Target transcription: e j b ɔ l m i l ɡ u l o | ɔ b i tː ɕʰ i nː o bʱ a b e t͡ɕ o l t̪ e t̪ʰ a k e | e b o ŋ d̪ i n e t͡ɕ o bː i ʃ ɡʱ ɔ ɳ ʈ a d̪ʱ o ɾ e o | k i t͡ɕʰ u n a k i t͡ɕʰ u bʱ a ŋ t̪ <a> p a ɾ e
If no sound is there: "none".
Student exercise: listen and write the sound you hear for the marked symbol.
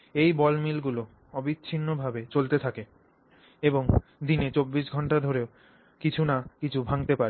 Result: e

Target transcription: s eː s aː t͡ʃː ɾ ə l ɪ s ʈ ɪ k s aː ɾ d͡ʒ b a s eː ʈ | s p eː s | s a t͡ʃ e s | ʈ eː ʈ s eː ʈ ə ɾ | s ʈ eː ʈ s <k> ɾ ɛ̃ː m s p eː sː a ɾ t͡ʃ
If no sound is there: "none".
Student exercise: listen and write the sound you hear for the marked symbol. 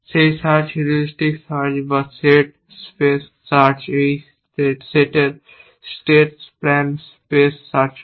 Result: p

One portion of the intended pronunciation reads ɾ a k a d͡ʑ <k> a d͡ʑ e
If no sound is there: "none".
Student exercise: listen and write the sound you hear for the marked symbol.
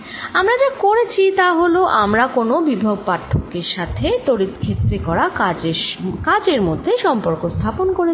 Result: k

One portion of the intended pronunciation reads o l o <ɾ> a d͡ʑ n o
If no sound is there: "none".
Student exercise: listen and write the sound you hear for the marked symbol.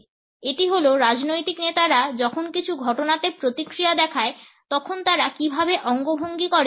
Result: ɾ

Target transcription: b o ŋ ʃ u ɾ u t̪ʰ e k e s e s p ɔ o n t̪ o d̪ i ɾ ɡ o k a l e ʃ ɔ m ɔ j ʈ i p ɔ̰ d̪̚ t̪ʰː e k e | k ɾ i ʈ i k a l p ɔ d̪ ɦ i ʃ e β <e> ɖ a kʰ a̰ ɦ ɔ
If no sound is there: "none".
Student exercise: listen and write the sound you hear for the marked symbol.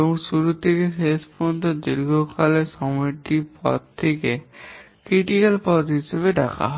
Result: e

